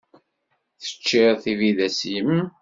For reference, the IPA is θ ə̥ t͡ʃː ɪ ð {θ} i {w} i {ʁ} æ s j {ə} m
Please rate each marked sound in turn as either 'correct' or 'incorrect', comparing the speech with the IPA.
correct, incorrect, incorrect, correct

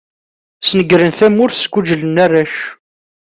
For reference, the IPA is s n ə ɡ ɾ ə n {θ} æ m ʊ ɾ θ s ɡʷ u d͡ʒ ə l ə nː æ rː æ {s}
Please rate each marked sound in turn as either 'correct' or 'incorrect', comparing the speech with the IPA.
correct, incorrect

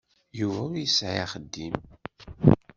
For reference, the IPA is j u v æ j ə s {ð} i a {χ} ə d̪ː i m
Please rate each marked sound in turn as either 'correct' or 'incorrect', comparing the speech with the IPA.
incorrect, correct

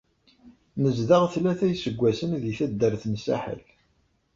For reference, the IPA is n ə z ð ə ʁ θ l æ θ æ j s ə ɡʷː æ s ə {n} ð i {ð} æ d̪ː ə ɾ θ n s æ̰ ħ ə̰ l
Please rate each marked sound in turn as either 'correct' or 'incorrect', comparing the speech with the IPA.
correct, incorrect

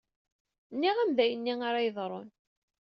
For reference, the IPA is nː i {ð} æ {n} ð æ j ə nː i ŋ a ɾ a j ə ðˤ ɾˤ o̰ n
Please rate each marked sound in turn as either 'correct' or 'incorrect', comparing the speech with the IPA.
incorrect, incorrect

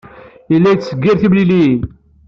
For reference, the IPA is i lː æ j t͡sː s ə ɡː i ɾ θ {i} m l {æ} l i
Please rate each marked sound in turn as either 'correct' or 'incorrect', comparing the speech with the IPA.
correct, incorrect

